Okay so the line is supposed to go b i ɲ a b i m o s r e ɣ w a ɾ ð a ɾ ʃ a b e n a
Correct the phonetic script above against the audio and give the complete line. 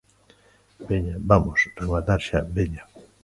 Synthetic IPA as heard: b e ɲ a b a m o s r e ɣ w a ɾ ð a ɾ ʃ a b e ɲ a